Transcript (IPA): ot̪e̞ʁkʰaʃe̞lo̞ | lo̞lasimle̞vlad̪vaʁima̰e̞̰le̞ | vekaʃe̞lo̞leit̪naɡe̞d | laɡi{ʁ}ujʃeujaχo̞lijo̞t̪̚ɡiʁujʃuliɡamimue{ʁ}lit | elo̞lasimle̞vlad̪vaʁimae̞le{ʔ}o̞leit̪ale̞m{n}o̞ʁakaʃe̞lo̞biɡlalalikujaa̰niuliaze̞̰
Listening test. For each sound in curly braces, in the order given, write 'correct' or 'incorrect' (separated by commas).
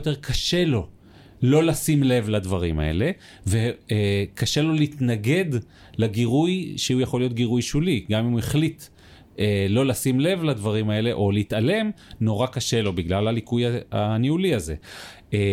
correct, incorrect, correct, correct